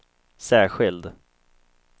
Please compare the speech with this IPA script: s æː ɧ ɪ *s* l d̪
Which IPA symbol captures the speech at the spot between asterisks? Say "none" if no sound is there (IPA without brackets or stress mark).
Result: none